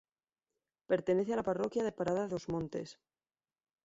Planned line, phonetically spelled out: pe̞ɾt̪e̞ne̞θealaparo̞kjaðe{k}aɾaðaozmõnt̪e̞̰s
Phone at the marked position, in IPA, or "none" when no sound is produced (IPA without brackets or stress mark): p